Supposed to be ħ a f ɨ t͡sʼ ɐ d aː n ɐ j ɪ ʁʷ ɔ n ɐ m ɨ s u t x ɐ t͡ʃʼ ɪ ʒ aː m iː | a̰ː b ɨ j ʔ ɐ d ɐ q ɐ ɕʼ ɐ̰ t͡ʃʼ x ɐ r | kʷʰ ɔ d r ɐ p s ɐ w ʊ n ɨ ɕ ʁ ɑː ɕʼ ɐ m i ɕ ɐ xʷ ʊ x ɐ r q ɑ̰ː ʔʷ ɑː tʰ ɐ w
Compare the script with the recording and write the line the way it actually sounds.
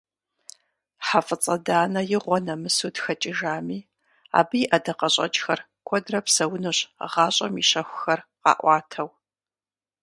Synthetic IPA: ħ a f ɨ t͡sʼ ɐ d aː n ɐ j ɪ ʁʷ ɔ n ɐ m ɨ s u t x ɐ t͡ʃʼ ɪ ʒ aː m iː | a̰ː b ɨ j ʔ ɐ d ɐ q ɐ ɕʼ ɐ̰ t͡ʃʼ x ɐ r | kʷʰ ɔ d r ɐ p s ɐ w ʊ n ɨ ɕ ʁ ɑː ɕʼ ɐ m i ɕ ɐ xʷ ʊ x ɐ r q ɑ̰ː ʔʷ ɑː tʰ ɐ w